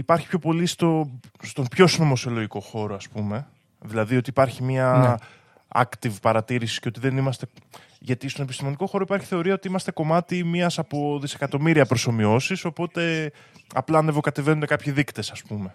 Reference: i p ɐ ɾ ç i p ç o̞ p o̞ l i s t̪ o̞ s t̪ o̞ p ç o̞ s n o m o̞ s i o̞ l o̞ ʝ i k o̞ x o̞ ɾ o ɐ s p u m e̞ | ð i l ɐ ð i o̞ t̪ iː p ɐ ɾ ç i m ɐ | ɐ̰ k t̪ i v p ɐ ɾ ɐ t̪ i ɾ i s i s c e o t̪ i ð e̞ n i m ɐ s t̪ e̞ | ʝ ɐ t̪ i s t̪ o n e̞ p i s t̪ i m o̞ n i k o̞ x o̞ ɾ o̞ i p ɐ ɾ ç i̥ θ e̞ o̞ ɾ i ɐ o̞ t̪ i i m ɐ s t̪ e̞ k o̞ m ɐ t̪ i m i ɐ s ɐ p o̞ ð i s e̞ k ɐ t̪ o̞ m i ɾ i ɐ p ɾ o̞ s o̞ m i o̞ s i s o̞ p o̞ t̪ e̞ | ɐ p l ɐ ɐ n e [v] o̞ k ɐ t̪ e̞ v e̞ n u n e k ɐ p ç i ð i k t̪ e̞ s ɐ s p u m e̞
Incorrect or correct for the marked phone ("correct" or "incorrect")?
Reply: correct